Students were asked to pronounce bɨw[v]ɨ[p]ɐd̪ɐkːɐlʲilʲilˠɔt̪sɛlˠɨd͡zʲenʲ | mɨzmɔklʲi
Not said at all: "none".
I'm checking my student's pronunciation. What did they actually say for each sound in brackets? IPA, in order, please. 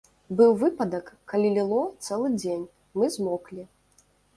v, p

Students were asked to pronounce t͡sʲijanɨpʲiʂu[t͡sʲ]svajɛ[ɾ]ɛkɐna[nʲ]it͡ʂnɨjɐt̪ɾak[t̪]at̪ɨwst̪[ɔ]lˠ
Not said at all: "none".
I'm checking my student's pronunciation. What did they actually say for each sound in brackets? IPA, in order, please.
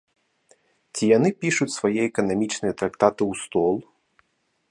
t͡sʲ, none, mʲ, t̪, ɔ

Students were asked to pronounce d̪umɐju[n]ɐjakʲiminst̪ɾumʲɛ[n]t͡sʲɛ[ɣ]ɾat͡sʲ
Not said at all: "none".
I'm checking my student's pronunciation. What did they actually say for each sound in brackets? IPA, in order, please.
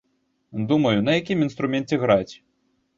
n, n, ɣ

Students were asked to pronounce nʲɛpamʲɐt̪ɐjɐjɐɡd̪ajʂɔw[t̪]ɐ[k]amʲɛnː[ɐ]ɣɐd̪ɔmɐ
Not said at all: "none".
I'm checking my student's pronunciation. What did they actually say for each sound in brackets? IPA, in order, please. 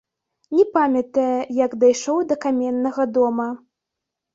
d̪, k, ɐ

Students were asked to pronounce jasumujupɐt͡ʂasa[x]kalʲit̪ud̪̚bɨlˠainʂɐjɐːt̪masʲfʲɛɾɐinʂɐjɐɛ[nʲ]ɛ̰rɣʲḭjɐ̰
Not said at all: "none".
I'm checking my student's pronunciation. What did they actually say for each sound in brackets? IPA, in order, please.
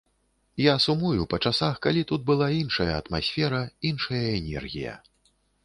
x, nʲ

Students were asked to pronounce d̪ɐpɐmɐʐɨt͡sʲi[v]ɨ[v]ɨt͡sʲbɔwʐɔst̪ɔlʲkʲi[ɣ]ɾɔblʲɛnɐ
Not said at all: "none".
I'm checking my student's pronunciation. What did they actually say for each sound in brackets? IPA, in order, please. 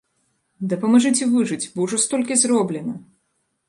v, ʐ, z

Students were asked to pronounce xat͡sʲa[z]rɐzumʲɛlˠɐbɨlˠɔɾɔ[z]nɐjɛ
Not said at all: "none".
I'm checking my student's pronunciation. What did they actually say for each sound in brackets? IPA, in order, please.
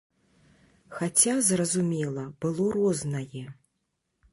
z, z

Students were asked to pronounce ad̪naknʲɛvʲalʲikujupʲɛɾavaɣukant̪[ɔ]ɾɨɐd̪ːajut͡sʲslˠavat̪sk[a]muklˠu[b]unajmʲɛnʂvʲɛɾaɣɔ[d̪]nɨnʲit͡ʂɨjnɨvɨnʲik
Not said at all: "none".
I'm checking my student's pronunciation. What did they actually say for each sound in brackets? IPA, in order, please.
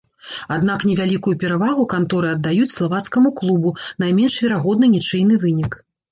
ɔ, ɐ, b, d̪

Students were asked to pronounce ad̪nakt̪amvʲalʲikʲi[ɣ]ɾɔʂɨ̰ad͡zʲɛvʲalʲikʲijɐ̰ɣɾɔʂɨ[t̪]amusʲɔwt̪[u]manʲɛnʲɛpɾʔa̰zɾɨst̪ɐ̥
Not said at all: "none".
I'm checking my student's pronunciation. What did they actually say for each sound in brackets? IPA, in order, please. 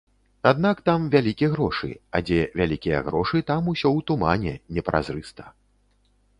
ɣ, t̪, u

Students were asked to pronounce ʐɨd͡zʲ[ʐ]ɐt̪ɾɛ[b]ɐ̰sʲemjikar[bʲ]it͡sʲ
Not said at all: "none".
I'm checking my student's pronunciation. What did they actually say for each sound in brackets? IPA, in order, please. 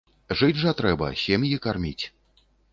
ʐ, b, mʲ

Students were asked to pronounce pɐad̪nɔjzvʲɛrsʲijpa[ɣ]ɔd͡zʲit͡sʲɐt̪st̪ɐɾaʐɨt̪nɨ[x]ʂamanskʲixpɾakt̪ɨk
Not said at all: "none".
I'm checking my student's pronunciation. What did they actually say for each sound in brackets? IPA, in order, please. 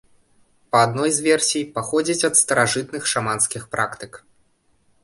x, x

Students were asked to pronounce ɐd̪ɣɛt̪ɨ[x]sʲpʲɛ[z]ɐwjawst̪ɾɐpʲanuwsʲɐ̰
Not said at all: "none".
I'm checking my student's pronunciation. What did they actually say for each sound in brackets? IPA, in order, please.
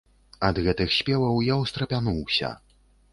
x, v

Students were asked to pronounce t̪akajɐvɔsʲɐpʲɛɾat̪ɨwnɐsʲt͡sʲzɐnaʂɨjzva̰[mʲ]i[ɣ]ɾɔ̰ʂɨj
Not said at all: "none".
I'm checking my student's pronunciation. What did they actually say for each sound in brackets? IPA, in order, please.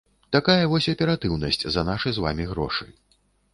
mʲ, ɣ

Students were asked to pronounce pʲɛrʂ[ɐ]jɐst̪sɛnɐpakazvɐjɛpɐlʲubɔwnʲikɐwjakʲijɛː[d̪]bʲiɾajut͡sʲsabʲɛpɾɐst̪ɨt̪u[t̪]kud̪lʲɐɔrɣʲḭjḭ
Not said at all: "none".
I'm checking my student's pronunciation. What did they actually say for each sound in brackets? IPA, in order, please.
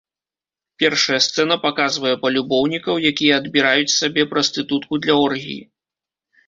ɐ, d̪, t̪

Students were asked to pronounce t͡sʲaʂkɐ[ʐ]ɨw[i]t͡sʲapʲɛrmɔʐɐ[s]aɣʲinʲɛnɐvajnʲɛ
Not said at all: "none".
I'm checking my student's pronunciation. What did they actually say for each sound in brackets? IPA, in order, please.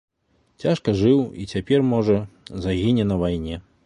ʐ, i, z

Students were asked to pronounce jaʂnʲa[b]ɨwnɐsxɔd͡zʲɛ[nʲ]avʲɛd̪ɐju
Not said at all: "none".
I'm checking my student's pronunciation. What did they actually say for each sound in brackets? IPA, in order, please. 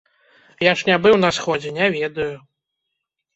b, nʲ

